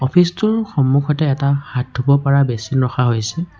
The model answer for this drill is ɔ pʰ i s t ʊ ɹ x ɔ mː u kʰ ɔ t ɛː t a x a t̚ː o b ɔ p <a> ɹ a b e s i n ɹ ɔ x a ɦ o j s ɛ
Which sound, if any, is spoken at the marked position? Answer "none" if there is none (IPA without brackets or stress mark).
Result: a